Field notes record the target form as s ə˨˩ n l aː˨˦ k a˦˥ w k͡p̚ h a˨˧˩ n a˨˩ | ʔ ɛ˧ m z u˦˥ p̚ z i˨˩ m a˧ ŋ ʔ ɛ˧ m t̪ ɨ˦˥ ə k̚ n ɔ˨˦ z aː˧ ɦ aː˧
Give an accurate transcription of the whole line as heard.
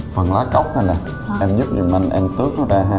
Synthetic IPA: f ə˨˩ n l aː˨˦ k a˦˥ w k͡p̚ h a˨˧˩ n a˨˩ | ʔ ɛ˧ m z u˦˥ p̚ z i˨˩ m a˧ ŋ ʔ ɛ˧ m t̪ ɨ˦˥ ə k̚ n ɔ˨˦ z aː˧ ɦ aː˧